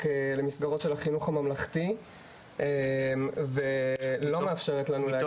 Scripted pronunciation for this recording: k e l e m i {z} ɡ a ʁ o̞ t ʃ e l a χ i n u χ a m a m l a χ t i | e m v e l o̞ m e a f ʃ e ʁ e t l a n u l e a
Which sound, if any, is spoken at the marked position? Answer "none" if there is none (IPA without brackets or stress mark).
s